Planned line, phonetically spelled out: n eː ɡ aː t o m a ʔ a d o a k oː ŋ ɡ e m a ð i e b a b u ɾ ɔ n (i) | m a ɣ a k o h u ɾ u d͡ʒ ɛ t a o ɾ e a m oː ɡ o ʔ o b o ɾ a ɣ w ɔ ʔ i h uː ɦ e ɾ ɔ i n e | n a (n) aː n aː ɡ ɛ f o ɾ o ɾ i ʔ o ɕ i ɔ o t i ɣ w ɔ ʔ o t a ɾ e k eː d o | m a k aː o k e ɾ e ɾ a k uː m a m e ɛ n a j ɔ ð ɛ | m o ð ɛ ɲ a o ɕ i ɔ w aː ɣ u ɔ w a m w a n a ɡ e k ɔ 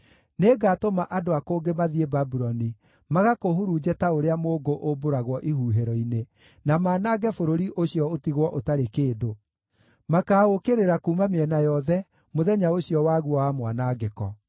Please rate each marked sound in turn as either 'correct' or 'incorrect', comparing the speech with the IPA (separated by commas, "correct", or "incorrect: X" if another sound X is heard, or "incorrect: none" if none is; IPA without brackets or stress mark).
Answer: correct, incorrect: m